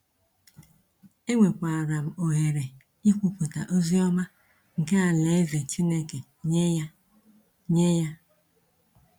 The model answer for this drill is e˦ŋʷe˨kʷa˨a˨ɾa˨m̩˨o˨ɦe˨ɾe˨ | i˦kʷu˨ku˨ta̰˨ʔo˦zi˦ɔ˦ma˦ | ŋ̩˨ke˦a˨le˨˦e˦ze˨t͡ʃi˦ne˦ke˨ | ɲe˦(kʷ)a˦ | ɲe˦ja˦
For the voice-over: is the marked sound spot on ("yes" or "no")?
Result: no